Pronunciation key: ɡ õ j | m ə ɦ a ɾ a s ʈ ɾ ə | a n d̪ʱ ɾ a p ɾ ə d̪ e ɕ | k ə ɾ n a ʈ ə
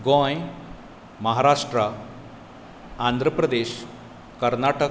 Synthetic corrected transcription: ɡ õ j | m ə ɦ a ɾ a ʂ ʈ ɾ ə | a n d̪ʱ ɾ ə p ɾ ə d̪ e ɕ | k ə ɾ n a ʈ ə